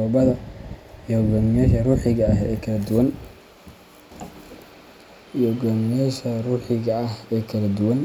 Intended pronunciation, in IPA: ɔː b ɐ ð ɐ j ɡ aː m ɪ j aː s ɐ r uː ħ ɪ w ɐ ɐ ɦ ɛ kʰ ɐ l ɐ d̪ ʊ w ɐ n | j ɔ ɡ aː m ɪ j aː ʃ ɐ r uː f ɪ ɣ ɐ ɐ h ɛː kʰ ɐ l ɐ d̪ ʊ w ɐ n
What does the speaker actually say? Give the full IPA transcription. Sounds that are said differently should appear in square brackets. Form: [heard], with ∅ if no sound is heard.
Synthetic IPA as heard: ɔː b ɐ ð ɐ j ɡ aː m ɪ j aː [ʃ] ɐ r uː ħ ɪ [ɣ] ɐ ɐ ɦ ɛ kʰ ɐ l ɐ d̪ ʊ w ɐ n | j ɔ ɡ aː m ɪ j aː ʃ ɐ r uː [ħ] ɪ ɣ ɐ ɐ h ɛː kʰ ɐ l ɐ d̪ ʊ w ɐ n